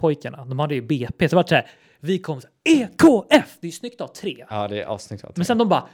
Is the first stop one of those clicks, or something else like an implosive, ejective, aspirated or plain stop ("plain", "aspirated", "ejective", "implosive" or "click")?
aspirated